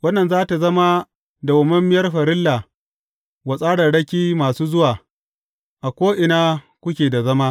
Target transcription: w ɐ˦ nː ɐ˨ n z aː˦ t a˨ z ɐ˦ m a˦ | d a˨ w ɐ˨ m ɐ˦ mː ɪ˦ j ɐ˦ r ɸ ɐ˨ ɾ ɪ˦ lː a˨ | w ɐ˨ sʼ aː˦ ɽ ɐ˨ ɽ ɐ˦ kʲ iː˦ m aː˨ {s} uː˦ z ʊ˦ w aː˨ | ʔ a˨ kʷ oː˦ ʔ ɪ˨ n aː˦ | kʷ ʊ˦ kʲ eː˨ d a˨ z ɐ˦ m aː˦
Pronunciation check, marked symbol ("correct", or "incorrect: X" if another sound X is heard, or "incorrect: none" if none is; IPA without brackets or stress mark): correct